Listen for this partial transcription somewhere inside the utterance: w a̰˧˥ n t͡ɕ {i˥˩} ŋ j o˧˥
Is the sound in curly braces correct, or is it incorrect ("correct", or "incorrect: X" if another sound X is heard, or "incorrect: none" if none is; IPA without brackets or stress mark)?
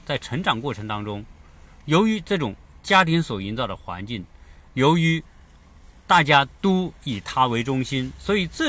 correct